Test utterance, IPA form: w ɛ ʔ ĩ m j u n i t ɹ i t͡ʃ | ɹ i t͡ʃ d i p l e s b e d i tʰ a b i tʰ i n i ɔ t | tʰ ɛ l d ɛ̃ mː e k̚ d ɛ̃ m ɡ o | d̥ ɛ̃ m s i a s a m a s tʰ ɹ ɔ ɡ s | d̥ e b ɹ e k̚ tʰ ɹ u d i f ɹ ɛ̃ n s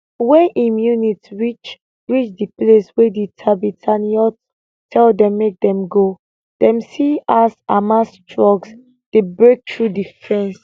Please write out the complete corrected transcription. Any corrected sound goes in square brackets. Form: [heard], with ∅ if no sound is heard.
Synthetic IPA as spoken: w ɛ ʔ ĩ m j u n i t ɹ i t͡ʃ | ɹ i t͡ʃ d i p l e s [w] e d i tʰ a b i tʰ [a] n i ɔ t | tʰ ɛ l d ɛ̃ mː e k̚ d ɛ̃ m ɡ o | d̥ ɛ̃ m s i a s a m a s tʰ ɹ ɔ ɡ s | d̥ e b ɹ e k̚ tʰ ɹ u d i f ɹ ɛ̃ n s